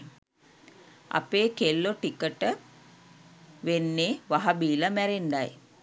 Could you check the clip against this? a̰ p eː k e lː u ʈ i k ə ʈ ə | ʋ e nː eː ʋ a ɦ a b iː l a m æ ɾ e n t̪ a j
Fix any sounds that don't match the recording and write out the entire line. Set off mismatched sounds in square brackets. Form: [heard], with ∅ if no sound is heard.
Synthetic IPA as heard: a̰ p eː k e lː [o] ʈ i k ə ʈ ə | ʋ e nː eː ʋ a ɦ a b iː l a m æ ɾ e n [d̪] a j